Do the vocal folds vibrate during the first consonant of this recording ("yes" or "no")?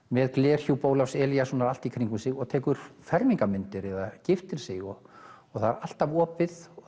yes